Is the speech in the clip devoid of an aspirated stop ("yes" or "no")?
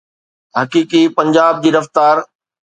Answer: yes